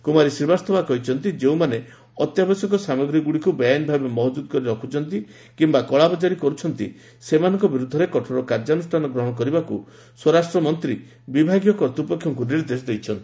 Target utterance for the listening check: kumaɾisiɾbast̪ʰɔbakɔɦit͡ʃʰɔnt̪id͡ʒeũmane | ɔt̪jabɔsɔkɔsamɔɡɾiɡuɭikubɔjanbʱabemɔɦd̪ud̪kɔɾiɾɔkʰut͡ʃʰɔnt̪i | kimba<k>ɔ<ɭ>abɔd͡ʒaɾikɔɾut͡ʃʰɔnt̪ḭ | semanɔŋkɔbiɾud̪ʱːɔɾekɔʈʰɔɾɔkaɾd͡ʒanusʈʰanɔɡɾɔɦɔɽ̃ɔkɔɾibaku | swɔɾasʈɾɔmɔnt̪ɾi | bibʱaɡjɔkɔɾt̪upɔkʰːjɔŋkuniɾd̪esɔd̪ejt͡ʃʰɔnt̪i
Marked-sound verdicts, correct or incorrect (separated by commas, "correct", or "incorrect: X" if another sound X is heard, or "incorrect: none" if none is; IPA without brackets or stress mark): correct, correct